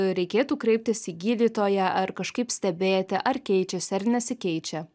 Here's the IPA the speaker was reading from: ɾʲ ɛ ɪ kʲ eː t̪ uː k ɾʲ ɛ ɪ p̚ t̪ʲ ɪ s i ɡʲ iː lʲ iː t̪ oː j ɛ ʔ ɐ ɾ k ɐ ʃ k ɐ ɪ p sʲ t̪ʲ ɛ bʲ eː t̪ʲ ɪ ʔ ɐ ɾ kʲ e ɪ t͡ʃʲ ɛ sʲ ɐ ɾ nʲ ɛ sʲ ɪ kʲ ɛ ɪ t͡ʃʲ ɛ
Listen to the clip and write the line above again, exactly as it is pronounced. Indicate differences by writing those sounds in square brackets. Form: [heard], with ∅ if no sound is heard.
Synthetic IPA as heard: ɾʲ ɛ ɪ kʲ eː t̪ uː k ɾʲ ɛ ɪ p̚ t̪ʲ ɪ s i ɡʲ iː lʲ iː t̪ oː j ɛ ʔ ɐ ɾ k ɐ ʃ k ɐ ɪ p sʲ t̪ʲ ɛ bʲ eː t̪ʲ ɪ ʔ ɐ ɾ kʲ [ɛ] ɪ t͡ʃʲ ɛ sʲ ɐ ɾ nʲ ɛ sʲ ɪ kʲ ɛ ɪ t͡ʃʲ ɛ